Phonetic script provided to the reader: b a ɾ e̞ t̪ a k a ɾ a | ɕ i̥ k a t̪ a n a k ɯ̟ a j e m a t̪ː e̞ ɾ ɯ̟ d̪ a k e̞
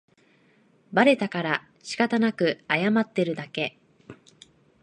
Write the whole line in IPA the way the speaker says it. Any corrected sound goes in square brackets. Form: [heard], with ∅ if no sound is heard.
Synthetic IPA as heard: b a ɾ e̞ t̪ a k a ɾ a | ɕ i̥ k a t̪ a n a k ɯ̟ a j [a] m a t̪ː e̞ ɾ ɯ̟ d̪ a k e̞